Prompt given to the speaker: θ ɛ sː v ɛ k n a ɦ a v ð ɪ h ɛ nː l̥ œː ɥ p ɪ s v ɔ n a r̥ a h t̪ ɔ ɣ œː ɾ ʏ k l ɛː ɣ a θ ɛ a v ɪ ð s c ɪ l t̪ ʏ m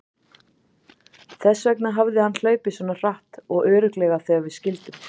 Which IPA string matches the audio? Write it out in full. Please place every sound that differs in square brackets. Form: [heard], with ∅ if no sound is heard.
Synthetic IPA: θ ɛ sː v ɛ k n a ɦ a v ð ɪ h [a] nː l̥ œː ɥ p ɪ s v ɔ n a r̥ a h t̪ ɔ ɣ œː ɾ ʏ k l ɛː ɣ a θ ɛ a v ɪ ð s c ɪ l t̪ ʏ m